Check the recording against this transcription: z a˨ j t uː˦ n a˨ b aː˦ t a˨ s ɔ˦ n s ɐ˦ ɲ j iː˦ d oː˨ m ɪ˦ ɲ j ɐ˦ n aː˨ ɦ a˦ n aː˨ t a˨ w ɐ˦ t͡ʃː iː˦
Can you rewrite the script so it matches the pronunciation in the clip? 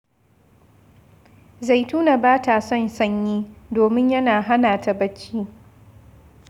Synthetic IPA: z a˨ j t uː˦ n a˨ b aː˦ t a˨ s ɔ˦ n s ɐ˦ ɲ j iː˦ d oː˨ m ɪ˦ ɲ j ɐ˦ n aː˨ ɦ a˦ n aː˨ t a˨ b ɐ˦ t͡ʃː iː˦